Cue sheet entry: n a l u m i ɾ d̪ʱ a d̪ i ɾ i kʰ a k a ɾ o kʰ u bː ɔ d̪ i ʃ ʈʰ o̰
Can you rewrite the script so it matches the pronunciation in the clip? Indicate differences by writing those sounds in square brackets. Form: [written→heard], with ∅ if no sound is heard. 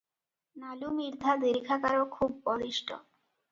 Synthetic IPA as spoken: n a l u m i ɾ d̪ʱ a d̪ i ɾ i kʰ a k a ɾ o kʰ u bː ɔ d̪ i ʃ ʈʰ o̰